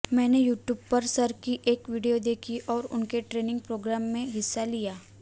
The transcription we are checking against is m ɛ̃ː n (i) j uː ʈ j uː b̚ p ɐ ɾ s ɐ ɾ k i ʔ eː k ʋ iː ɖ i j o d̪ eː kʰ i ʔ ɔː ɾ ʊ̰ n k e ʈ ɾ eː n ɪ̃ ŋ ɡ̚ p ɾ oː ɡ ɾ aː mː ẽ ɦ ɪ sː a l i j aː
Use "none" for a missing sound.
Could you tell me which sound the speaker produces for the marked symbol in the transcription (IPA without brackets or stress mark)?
e